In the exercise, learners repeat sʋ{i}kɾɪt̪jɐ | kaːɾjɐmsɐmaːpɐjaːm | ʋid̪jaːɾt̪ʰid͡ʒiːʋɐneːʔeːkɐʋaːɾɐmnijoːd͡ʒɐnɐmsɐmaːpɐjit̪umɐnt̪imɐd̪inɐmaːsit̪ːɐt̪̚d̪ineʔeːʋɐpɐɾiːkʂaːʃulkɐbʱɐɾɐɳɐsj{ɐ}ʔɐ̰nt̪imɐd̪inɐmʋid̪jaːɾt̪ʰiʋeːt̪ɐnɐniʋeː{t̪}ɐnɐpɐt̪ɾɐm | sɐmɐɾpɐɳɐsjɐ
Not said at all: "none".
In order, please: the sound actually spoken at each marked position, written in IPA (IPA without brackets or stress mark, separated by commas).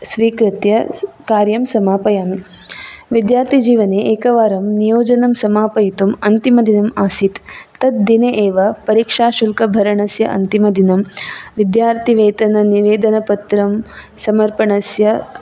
iː, ɐ, d̪